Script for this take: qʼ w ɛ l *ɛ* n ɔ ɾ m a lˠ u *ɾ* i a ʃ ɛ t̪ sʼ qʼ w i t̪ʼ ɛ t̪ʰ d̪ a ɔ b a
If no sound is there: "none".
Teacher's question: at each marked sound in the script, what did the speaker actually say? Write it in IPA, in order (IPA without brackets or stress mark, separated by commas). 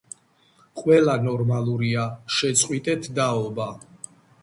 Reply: a, ɾ